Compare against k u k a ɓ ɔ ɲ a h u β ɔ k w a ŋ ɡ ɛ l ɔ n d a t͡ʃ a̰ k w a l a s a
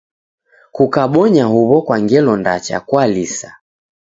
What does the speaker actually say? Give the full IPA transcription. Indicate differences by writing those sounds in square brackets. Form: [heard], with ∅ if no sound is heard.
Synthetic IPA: k u k a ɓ ɔ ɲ a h u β ɔ k w a ŋ ɡ ɛ l ɔ n d a t͡ʃ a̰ k w a l [i] s a